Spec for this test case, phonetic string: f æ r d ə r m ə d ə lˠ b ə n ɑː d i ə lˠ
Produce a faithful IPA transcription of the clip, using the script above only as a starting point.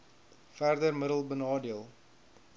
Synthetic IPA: f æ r d ə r m ə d ə lˠ b ə n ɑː d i ə lˠ